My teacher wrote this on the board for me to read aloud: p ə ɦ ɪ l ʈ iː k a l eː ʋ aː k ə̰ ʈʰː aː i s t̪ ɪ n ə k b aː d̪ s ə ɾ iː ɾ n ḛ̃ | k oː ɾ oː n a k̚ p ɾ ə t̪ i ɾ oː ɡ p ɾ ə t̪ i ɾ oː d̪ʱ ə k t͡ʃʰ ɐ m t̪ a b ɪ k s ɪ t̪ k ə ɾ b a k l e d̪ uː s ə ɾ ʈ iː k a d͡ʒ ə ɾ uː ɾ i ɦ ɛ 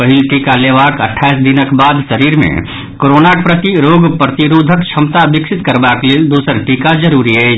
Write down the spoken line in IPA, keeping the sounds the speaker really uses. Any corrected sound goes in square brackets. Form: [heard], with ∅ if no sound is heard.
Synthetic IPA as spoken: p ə ɦ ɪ l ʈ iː k a l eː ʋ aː k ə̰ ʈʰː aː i s [d̪] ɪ n ə k b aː d̪ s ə ɾ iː ɾ [m] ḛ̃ | k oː ɾ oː n a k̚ p ɾ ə t̪ i ɾ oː ɡ p ɾ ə t̪ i ɾ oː d̪ʱ ə k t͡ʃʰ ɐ m t̪ a b ɪ k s ɪ t̪ k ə ɾ b a k l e d̪ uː s ə ɾ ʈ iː k a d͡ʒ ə ɾ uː ɾ i ɦ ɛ